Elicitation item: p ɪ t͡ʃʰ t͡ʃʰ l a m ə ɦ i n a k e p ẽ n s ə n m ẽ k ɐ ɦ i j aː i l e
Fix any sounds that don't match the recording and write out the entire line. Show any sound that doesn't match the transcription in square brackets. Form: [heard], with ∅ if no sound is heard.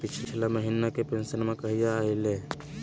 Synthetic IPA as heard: p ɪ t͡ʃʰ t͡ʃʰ l a m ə ɦ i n a k e p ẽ n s ə n m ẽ k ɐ ɦ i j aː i l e